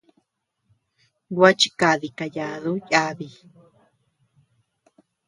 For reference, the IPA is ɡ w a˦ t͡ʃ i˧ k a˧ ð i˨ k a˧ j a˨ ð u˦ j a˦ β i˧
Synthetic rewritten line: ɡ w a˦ t͡ʃ i˧ k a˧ ð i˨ k a˧ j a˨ ð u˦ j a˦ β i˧